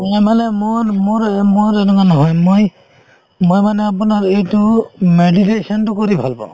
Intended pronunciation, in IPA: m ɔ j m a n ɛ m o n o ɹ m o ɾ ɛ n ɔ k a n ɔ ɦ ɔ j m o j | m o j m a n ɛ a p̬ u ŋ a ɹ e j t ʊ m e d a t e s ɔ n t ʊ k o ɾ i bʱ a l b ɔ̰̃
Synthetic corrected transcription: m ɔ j m a n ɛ m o m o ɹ m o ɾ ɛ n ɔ k a n ɔ ɦ ɔ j m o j | m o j m a n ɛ a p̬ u n a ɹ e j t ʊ m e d i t e s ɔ n t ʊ k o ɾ i bʱ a l b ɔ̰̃